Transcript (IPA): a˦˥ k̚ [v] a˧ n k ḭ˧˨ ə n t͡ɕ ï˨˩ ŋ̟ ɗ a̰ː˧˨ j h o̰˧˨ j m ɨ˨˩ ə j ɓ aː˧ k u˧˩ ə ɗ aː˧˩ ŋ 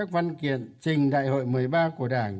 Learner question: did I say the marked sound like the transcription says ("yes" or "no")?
yes